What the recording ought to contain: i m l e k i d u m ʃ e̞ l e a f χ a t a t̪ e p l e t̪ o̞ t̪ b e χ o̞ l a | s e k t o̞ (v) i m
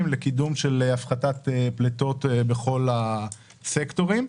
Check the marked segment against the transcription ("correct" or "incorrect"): incorrect